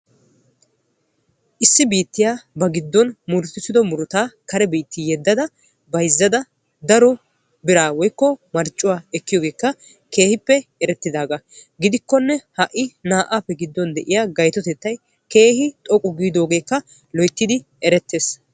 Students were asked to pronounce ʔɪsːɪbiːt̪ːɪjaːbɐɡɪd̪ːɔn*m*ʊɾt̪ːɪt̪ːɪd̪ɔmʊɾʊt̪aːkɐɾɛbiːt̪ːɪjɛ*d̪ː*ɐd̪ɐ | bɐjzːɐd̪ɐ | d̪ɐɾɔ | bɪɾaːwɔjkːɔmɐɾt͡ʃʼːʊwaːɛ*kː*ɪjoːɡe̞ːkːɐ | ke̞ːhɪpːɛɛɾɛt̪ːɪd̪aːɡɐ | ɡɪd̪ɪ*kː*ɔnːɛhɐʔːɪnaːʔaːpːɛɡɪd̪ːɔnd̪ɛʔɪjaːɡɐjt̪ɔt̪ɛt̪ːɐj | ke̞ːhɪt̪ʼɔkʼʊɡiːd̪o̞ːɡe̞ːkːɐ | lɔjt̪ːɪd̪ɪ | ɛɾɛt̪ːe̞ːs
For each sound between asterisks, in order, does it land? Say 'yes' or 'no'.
yes, yes, yes, yes

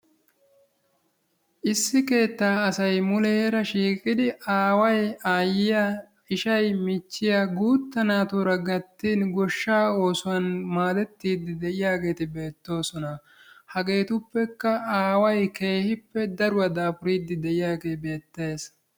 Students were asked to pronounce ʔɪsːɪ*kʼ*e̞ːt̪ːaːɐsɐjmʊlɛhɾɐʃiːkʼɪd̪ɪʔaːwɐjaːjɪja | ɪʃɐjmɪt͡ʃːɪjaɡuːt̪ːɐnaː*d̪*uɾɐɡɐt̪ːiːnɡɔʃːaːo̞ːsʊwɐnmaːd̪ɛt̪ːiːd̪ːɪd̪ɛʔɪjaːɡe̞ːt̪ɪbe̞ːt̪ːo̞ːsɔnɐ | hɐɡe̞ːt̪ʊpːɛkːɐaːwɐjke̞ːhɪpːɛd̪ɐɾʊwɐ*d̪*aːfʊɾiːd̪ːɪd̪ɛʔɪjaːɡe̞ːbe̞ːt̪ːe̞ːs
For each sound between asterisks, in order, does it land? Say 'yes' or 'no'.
no, no, yes

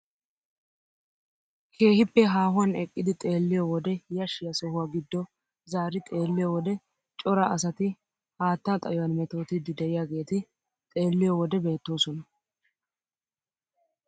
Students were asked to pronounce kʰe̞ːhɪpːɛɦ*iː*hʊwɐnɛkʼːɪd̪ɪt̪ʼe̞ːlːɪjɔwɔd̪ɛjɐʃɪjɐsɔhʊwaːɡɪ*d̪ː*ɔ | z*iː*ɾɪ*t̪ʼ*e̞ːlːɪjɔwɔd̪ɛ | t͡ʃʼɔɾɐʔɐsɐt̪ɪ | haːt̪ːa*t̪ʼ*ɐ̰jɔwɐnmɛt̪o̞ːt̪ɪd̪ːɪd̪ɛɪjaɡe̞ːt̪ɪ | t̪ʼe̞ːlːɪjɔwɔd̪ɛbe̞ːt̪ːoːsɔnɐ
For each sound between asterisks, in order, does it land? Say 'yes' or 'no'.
no, yes, no, yes, yes

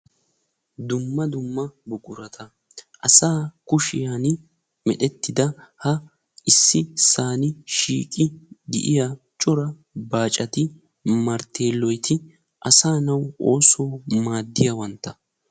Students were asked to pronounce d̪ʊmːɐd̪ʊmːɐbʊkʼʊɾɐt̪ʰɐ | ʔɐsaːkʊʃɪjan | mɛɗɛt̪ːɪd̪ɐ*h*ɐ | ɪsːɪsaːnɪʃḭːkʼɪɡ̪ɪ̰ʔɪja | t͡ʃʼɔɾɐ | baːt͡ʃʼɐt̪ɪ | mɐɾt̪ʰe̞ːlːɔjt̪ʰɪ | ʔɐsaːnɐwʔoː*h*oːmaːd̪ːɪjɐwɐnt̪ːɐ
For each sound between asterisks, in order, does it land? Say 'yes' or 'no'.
yes, no

